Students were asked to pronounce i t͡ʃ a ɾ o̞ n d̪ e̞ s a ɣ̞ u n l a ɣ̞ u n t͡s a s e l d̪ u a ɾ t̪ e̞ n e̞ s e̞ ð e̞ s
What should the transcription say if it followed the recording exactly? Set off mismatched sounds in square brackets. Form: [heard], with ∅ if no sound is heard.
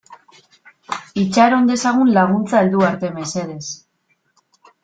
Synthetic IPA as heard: i t͡ʃ a ɾ o̞ n d̪ e̞ s a ɣ̞ u n l a ɣ̞ u n t͡s a [∅] e l d̪ u a ɾ t̪ e̞ [m] e̞ s e̞ ð e̞ s

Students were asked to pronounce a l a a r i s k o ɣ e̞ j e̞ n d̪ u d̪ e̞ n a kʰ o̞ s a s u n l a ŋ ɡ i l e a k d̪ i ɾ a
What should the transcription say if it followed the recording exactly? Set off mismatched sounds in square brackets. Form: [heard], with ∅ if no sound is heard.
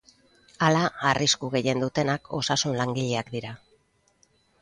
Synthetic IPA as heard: a l a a r i s k [u] ɣ e̞ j e̞ n d̪ u [t̪] e̞ n a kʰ o̞ s a s u n l a ŋ ɡ i [ʎ] e a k d̪ i ɾ a

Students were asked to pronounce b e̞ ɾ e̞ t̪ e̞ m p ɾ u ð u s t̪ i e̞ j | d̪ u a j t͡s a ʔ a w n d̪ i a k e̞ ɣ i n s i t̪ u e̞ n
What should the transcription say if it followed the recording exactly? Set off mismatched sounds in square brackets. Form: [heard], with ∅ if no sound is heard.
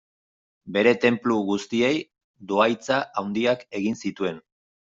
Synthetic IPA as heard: b e̞ ɾ e̞ t̪ e̞ m p [l] u [ɣ] u s t̪ i e̞ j | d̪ [o] a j t͡s a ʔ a w n d̪ i a k e̞ ɣ i n s i t̪ u e̞ n

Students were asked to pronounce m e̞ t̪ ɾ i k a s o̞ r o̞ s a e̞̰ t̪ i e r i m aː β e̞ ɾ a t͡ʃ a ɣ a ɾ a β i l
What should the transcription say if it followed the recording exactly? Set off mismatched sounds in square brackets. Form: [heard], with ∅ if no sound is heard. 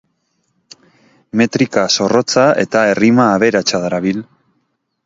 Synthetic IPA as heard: m e̞ t̪ ɾ i k a s o̞ r o̞ [t͡s] a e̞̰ t̪ [a] e r i m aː β e̞ ɾ a t͡ʃ a [ð] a ɾ a β i l

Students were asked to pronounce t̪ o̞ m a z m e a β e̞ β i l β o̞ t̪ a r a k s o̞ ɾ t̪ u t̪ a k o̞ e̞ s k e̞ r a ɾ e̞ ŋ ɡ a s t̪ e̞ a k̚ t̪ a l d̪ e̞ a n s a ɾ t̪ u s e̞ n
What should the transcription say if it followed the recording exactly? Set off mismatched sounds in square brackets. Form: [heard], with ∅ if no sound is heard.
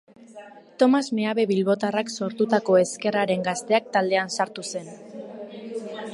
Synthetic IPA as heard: t̪ o̞ m a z m e a β e̞ β i l β o̞ t̪ a r a k s o̞ ɾ t̪ u t̪ a k o̞ e̞ s k e̞ r a ɾ e̞ ŋ ɡ a s t̪ e̞ a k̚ t̪ a l d̪ e̞ a n s a ɾ t̪ u s e̞ n

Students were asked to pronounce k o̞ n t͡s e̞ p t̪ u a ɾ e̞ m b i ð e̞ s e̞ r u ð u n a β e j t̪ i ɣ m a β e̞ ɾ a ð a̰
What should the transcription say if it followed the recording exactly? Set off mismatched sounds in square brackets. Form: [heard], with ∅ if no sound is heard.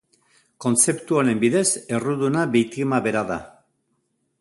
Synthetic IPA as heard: k o̞ n t͡s e̞ p t̪ u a ɾ e̞ m b i ð e̞ s e̞ r u ð u n a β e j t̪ i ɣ m a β e̞ ɾ a ð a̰

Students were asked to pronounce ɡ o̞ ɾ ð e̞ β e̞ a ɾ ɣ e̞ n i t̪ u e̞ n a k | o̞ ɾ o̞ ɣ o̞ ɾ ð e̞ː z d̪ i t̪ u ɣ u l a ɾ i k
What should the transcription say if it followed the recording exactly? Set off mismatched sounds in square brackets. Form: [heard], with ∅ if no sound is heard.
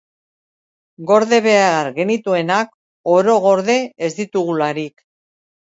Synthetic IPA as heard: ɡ o̞ ɾ ð e̞ β e̞ a ɾ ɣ e̞ n i t̪ u e̞ n a k | o̞ ɾ o̞ ɣ o̞ ɾ ð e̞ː z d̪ i t̪ u ɣ u l a ɾ i k

